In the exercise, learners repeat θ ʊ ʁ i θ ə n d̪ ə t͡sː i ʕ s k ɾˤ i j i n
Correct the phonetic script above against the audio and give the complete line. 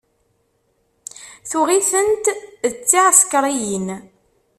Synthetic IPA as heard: θ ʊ ʁ i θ ə n t̪ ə t͡sː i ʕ s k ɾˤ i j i n